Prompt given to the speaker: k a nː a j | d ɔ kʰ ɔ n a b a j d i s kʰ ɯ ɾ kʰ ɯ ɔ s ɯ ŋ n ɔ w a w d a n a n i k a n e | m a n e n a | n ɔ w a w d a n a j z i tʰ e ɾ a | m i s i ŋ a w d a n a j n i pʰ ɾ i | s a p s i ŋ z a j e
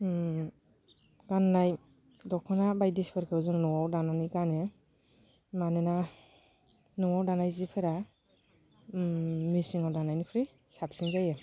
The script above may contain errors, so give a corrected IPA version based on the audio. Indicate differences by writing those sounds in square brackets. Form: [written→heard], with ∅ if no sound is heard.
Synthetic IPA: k a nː a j | d ɔ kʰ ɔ n a b a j d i s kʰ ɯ ɾ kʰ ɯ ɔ [s→z] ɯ ŋ n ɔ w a w d a n a n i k a n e | m a n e n a | n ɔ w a w d a n a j z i [tʰ→pʰ] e ɾ a | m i s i ŋ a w d a n a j n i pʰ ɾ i | s a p s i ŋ z a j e